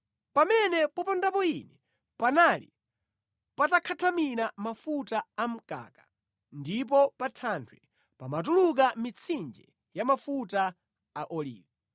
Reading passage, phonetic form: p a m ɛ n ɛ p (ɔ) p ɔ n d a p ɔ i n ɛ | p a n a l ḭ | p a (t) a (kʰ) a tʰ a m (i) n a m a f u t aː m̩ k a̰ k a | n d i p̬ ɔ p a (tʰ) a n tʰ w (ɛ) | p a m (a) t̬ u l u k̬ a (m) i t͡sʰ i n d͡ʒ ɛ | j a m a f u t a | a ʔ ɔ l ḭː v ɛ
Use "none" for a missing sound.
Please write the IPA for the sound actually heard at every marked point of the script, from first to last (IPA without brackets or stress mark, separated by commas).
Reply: ɔ, t, kʰ, i, tʰ, ɛ, a, m